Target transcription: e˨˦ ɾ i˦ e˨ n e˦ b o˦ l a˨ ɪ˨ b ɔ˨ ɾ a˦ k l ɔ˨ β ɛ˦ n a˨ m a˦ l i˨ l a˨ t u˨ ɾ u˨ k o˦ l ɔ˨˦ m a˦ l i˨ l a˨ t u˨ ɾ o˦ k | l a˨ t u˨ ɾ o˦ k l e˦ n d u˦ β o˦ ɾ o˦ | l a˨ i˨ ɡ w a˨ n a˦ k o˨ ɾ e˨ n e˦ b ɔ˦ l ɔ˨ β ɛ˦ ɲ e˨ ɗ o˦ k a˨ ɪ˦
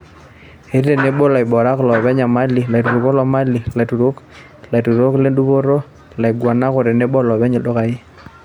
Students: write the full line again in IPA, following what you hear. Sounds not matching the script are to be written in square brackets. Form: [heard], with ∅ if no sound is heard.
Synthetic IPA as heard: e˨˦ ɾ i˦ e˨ n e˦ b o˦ l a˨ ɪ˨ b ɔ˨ ɾ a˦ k l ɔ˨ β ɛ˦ [ɲ] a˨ m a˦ l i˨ l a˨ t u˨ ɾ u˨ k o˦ l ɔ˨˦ m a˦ l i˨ l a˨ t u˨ ɾ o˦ k | l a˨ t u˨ ɾ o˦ k l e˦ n d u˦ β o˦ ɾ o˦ | l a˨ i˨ ɡ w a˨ n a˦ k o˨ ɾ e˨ n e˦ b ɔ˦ l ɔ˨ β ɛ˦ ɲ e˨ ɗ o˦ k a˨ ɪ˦